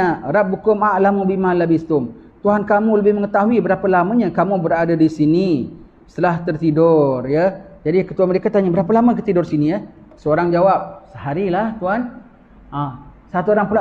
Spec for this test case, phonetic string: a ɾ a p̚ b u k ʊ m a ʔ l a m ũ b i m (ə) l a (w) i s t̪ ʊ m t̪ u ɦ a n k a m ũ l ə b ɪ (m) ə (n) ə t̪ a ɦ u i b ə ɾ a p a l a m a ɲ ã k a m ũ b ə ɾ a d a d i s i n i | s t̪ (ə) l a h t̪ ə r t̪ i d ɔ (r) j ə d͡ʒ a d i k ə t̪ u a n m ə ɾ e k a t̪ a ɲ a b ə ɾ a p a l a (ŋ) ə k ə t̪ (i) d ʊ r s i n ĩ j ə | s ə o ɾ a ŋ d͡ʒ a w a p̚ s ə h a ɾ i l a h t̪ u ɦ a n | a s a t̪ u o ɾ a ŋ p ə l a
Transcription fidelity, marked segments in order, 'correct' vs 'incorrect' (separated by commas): incorrect, incorrect, correct, incorrect, correct, correct, incorrect, correct